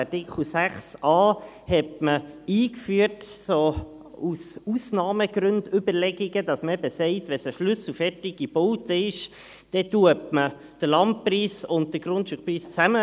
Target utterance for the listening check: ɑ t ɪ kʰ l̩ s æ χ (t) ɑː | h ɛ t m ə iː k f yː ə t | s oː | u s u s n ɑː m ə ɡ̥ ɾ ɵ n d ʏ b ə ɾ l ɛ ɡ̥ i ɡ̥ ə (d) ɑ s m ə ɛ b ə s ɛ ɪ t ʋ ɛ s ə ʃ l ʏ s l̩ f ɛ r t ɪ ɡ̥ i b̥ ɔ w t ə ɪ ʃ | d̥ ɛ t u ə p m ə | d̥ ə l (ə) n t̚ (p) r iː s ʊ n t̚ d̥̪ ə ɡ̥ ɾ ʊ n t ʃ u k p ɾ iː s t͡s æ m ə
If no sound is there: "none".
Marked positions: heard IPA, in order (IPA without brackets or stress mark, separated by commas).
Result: s, d, ɑ, p